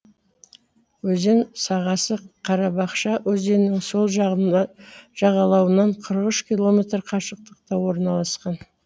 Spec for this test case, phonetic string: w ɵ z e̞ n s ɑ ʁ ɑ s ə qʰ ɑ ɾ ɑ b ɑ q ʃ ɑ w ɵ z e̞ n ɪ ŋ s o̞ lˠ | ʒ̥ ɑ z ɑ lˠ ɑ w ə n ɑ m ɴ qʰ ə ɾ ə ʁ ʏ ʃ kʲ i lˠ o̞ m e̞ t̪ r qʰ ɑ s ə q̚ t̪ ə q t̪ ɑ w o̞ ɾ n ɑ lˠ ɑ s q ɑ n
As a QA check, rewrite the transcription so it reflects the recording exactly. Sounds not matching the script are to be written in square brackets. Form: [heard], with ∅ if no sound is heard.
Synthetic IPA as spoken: w ɵ z e̞ n s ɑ ʁ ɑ s ə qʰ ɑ ɾ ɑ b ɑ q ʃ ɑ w ɵ z e̞ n ɪ ŋ s o̞ lˠ | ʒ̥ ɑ [ʁ] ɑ lˠ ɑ w ə n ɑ [∅] ɴ qʰ ə ɾ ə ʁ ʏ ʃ kʲ i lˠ o̞ m e̞ t̪ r qʰ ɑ [ʃ] ə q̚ t̪ ə q t̪ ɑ w o̞ ɾ n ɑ lˠ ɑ s q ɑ n

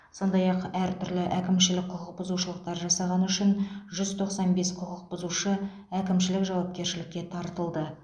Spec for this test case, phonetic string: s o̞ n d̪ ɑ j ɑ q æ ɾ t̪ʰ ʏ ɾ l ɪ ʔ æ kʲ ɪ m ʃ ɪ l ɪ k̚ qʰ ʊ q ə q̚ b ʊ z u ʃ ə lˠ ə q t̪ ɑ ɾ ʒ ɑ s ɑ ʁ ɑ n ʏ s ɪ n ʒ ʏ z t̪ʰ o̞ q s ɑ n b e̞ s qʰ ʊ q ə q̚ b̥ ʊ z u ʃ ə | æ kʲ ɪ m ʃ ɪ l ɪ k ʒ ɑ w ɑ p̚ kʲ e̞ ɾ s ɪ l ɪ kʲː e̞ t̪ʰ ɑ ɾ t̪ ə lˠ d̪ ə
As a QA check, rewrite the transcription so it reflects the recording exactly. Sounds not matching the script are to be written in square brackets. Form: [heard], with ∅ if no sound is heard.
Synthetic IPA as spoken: s o̞ n d̪ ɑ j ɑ q æ ɾ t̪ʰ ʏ ɾ l ɪ ʔ æ kʲ ɪ m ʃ ɪ l ɪ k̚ qʰ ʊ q ə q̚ b ʊ z u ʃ ə lˠ ə q t̪ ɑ ɾ ʒ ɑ s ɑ ʁ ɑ n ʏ [ʃ] ɪ n ʒ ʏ z t̪ʰ o̞ q s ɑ n b e̞ s qʰ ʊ q ə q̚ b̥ ʊ z u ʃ ə | æ kʲ ɪ m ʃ ɪ l ɪ k ʒ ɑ w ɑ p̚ kʲ e̞ ɾ [ʃ] ɪ l ɪ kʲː e̞ t̪ʰ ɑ ɾ t̪ ə lˠ d̪ ə

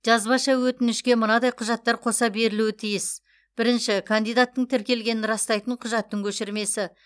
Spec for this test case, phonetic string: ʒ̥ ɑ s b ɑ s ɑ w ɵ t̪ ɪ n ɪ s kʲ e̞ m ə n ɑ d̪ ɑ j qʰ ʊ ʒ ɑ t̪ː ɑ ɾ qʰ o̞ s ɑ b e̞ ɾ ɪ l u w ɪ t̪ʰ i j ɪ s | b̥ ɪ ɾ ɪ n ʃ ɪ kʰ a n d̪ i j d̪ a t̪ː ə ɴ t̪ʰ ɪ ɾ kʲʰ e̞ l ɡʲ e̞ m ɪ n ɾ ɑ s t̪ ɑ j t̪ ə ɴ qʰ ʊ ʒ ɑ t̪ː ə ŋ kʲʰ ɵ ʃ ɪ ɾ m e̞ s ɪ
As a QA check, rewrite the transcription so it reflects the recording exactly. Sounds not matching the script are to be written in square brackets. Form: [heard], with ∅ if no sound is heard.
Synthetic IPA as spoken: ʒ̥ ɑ [z] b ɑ [ʃ] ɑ w ɵ t̪ ɪ n ɪ [ʃ] kʲ e̞ m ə n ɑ d̪ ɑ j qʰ ʊ ʒ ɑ t̪ː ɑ ɾ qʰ o̞ s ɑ b e̞ ɾ ɪ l u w ɪ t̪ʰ i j ɪ s | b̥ ɪ ɾ ɪ n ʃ ɪ kʰ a n d̪ i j d̪ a t̪ː ə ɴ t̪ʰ ɪ ɾ [kʲ] e̞ l ɡʲ e̞ [n] ɪ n ɾ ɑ s t̪ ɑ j t̪ ə ɴ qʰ ʊ ʒ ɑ t̪ː ə ŋ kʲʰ ɵ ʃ ɪ ɾ m e̞ s ɪ

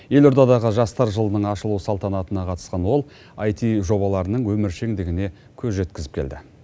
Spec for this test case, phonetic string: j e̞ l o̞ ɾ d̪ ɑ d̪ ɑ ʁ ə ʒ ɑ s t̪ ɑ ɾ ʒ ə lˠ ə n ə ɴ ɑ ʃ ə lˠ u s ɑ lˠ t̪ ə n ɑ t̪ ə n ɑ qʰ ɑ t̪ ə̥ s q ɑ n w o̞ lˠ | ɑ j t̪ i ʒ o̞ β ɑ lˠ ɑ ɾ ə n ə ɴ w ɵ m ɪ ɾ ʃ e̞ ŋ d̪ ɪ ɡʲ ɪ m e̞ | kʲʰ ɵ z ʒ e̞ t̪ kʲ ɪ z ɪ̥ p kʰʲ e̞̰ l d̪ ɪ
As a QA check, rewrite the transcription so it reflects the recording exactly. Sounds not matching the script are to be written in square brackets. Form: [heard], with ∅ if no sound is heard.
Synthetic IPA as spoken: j e̞ l o̞ ɾ d̪ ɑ d̪ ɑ ʁ ə ʒ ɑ s t̪ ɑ ɾ ʒ ə lˠ ə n ə ɴ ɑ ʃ ə lˠ u s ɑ lˠ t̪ [ɑ] n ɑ t̪ ə n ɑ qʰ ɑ t̪ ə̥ s q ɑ n w o̞ lˠ | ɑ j t̪ i ʒ o̞ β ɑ lˠ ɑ ɾ ə n ə ɴ w ɵ m ɪ ɾ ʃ e̞ ŋ d̪ ɪ ɡʲ ɪ [n] e̞ | kʲʰ ɵ z ʒ e̞ t̪ kʲ ɪ z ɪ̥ p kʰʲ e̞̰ l d̪ ɪ

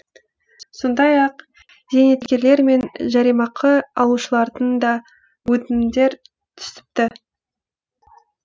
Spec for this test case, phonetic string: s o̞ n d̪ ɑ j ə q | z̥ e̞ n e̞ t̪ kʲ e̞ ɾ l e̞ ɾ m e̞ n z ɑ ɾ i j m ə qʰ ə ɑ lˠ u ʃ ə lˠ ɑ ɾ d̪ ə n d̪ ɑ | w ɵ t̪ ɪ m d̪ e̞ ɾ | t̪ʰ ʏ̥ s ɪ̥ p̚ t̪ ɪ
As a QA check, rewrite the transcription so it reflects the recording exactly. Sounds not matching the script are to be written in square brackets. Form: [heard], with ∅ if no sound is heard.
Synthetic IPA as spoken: s o̞ n d̪ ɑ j [ɑ] q | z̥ e̞ n e̞ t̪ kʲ e̞ ɾ l e̞ ɾ m e̞ n [ʒ] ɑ ɾ i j m [ɑ] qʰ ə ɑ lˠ u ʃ ə lˠ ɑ ɾ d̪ ə n d̪ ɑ | w ɵ t̪ ɪ m d̪ e̞ ɾ | t̪ʰ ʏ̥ s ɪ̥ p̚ t̪ ɪ

